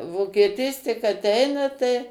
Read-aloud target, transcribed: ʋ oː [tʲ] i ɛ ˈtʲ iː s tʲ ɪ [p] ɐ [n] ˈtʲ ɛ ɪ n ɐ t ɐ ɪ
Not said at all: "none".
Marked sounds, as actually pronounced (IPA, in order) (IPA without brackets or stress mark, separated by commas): kʲ, k, none